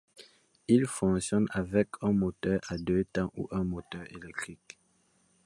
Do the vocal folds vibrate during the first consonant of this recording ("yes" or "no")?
yes